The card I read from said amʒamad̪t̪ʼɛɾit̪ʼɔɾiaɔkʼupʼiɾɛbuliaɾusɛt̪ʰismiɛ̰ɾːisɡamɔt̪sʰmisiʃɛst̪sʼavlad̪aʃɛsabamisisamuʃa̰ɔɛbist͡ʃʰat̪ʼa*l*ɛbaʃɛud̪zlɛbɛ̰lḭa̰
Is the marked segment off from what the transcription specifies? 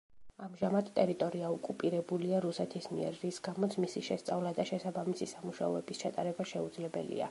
yes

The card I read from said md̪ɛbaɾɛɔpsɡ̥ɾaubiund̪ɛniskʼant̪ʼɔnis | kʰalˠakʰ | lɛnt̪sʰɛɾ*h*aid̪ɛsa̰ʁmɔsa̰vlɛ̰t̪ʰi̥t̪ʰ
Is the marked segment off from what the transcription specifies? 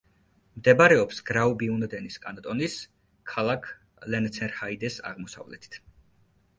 no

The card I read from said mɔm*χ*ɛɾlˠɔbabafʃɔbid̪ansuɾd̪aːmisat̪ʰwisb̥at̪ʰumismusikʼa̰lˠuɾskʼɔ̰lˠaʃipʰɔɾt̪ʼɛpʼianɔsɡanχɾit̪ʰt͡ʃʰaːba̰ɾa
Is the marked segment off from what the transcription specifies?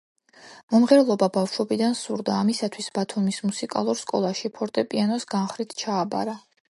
yes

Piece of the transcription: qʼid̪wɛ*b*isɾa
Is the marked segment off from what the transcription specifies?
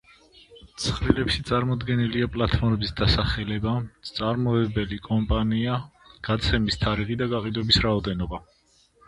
no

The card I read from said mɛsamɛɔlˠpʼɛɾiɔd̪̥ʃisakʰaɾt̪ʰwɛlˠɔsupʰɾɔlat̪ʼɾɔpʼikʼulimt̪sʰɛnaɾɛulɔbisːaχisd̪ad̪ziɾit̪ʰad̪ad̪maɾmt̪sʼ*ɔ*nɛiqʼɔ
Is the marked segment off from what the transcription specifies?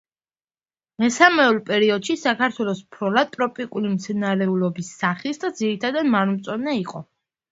no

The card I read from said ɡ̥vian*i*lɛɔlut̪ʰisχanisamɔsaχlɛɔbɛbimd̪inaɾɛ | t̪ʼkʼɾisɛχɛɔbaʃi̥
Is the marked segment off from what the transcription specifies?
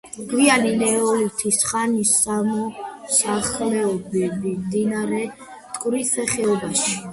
no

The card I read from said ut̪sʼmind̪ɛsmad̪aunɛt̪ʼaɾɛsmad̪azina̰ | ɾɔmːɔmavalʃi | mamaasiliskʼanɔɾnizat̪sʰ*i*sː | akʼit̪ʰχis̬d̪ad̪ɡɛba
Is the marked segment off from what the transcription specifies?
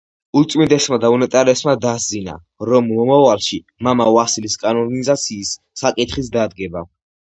yes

